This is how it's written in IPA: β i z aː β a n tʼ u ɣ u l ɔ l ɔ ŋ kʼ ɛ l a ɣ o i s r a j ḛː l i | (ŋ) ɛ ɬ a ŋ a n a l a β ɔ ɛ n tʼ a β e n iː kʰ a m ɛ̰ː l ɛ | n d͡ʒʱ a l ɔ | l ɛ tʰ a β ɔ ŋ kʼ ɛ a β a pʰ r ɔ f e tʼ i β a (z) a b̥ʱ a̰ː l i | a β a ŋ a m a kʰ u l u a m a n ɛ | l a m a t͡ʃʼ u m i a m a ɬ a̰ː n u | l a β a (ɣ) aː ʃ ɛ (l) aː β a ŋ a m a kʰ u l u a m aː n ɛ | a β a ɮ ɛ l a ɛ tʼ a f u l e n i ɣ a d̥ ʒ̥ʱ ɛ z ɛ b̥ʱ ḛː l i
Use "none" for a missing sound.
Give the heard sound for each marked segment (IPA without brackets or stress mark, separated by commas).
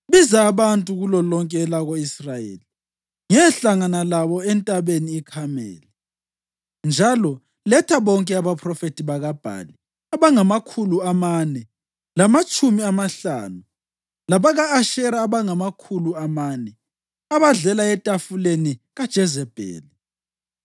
ŋ, ɣ, ɣ, ɾ